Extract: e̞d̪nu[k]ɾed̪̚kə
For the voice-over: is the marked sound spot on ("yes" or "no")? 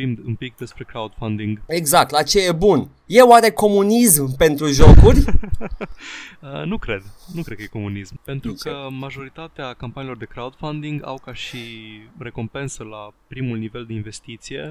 yes